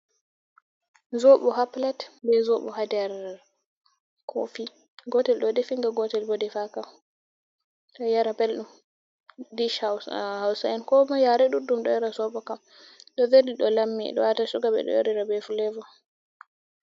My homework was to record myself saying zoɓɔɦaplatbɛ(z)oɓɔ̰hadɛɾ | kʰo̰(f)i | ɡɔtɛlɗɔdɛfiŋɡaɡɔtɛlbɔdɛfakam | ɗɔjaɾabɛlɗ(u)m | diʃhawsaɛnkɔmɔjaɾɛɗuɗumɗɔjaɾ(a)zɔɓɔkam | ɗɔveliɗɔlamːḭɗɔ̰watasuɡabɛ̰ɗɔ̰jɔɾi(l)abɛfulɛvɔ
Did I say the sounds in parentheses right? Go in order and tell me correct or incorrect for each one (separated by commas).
correct, correct, correct, correct, incorrect